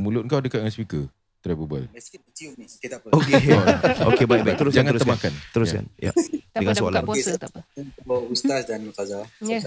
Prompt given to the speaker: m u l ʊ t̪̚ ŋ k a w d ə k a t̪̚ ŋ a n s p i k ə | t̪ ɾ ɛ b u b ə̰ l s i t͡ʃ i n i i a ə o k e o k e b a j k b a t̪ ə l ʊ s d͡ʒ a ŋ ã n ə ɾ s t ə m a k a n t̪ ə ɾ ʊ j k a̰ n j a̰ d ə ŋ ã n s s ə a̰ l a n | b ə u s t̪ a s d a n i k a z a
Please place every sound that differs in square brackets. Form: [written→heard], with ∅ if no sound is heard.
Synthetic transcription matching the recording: m u l ʊ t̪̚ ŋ k a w d ə k a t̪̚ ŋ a n s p i k ə | t̪ ɾ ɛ b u b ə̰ l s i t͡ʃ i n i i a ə o k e o k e b a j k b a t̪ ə [l→ɾ] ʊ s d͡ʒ a ŋ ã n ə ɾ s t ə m a k a n t̪ ə ɾ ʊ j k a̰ n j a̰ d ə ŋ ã n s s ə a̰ l a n | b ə u s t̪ a s d a n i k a z a